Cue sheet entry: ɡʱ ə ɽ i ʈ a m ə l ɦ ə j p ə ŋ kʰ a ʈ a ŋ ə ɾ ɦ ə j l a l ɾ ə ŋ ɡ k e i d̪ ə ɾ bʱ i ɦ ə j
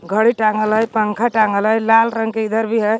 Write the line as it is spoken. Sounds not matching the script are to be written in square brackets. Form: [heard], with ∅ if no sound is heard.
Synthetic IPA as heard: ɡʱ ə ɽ i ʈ a [ŋ] ə l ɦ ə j p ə ŋ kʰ a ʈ a ŋ ə [l] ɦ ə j l a l ɾ ə ŋ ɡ k e i d̪ ə ɾ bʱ i ɦ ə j